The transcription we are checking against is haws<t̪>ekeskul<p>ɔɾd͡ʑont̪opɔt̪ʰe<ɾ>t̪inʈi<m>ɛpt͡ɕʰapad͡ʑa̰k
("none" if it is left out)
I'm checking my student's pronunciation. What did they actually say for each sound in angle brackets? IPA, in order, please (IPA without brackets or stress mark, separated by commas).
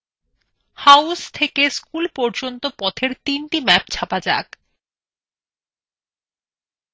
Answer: t̪ʰ, p, ɾ, m